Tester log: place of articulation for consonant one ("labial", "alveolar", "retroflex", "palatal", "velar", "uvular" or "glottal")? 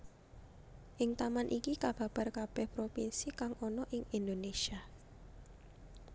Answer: glottal